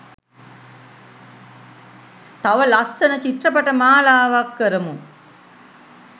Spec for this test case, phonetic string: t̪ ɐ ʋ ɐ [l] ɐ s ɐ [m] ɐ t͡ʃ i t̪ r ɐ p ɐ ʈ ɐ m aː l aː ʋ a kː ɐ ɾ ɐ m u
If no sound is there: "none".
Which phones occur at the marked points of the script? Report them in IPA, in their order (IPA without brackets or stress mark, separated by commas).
l, n